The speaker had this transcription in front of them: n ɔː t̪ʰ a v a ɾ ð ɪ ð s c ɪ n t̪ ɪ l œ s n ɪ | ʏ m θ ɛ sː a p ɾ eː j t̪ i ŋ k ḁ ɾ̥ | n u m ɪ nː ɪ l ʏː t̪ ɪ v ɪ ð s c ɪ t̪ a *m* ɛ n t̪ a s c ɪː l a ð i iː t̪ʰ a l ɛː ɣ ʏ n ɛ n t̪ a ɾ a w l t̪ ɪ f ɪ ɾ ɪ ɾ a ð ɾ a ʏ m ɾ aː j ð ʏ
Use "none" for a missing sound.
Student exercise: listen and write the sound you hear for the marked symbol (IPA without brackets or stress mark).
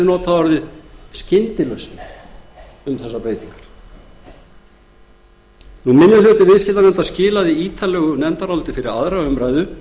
n